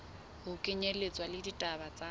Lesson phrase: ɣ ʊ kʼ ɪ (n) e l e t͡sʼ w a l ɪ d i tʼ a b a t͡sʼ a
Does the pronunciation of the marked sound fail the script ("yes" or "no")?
yes